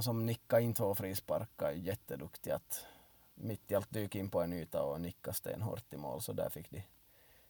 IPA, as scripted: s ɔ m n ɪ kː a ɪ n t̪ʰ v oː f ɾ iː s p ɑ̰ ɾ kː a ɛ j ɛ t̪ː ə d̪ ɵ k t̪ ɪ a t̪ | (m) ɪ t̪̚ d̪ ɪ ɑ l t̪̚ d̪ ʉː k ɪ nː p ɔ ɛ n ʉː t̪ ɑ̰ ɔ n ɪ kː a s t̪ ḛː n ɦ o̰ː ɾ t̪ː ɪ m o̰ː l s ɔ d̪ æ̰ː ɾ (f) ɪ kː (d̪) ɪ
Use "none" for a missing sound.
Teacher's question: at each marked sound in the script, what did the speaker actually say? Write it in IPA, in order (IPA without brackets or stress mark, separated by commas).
m, f, d̪